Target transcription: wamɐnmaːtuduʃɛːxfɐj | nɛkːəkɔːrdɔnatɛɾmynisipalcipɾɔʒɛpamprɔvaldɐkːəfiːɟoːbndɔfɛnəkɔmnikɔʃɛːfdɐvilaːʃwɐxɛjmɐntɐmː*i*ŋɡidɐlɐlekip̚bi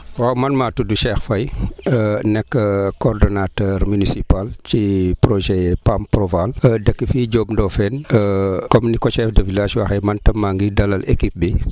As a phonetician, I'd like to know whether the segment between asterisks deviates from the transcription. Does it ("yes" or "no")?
yes